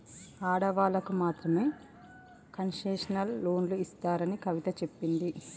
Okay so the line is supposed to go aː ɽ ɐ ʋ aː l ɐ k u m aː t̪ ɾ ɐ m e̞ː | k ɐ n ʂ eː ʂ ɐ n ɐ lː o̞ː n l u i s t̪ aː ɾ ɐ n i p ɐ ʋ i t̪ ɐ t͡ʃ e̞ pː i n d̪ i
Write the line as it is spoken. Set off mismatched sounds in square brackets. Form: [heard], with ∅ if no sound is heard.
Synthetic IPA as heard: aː ɽ ɐ ʋ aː l ɐ k u m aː t̪ ɾ ɐ m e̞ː | k ɐ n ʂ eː ʂ ɐ n ɐ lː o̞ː n l u i s t̪ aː ɾ ɐ n i [k] ɐ ʋ i t̪ ɐ t͡ʃ e̞ pː i n d̪ i